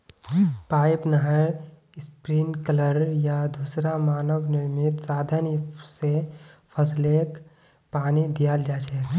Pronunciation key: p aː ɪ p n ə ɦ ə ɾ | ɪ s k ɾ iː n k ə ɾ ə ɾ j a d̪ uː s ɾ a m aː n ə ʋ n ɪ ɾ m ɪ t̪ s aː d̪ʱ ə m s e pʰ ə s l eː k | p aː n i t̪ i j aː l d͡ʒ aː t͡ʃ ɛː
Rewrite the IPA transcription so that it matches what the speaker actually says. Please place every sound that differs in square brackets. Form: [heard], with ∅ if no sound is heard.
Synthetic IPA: p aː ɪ p n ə ɦ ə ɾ | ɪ s [p] ɾ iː n k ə [l] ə ɾ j a d̪ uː s ɾ a m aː n ə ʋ n ɪ ɾ m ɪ t̪ s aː d̪ʱ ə [n] s e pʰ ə s l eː k | p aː n i [d̪] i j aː l d͡ʒ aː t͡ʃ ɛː